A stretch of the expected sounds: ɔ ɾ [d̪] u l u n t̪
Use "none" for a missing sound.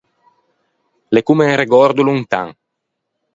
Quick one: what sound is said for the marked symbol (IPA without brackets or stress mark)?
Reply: d̪